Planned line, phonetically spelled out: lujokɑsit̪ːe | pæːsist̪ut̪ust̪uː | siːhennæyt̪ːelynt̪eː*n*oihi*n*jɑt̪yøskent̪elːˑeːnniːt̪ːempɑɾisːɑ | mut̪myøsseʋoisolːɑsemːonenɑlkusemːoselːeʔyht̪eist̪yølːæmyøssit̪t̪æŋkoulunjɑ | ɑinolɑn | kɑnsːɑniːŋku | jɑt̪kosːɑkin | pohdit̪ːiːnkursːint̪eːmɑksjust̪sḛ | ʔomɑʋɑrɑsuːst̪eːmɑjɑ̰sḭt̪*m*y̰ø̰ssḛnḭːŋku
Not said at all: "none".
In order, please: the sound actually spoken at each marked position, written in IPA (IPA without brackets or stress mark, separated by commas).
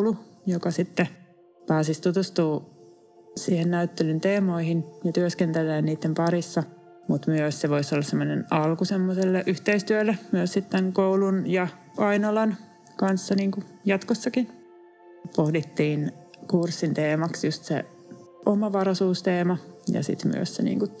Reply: m, n, m